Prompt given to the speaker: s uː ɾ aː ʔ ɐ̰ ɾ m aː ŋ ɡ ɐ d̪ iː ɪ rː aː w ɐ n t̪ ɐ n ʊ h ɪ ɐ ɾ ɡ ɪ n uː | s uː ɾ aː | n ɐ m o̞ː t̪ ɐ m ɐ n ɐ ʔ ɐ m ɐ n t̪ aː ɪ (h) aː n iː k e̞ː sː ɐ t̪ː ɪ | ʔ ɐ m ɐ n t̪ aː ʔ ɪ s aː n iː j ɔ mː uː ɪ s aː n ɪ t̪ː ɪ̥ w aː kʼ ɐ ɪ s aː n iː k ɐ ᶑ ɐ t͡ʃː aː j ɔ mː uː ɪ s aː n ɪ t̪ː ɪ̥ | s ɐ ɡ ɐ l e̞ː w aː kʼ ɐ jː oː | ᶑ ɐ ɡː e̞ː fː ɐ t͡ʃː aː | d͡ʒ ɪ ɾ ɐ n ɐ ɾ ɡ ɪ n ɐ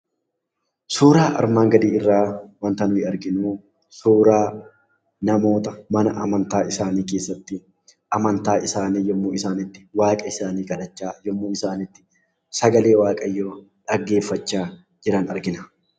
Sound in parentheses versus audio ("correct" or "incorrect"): incorrect